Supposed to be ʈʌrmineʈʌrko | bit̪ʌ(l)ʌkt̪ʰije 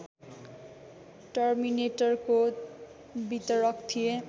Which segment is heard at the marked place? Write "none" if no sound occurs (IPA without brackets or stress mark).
ɾ